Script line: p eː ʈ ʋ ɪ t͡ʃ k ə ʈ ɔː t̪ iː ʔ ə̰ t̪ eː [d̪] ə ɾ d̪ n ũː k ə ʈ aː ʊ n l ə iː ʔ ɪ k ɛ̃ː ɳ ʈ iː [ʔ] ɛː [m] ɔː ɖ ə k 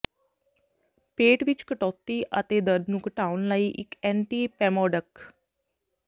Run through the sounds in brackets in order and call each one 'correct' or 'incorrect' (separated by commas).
correct, incorrect, correct